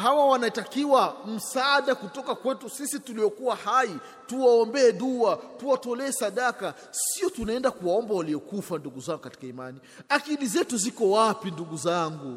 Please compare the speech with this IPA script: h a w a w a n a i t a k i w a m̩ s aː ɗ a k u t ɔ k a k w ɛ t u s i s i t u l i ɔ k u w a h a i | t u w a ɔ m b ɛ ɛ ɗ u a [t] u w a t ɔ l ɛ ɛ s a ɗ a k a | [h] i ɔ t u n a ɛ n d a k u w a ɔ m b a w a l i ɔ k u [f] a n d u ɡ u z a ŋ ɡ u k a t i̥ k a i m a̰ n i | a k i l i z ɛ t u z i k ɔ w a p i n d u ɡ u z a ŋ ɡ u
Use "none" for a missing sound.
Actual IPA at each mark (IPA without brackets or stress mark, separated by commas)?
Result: t, s, f